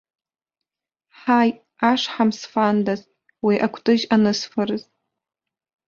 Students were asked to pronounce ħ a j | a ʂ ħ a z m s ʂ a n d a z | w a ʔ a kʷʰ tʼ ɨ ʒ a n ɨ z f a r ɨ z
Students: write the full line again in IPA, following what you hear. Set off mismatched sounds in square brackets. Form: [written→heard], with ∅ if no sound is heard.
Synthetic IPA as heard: ħ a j | a ʂ ħ a [z→∅] m s [ʂ→f] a n d a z | w [a→i] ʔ a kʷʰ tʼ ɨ ʒ a n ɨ [z→s] f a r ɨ z